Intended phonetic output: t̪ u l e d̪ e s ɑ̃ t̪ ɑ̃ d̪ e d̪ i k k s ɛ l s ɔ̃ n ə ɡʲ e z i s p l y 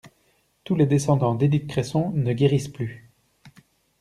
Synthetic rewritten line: t̪ u l e d̪ e s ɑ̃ d̪ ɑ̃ d̪ e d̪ i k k χ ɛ s ɔ̃ n ə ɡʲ e ʁ i s p l y